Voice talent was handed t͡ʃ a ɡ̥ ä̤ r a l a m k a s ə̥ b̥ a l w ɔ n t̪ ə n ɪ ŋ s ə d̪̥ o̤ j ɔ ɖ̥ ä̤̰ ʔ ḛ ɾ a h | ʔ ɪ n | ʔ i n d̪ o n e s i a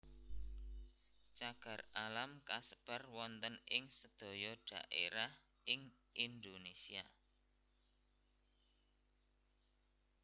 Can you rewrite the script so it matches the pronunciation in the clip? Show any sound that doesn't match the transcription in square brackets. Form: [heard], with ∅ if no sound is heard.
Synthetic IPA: t͡ʃ a ɡ̥ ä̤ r a l a m k a s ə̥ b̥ a [r] w ɔ n t̪ ə n ɪ ŋ s ə d̪̥ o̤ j ɔ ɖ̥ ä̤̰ ʔ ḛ ɾ a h | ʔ ɪ [ŋ] | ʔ i n d̪ o n e s i a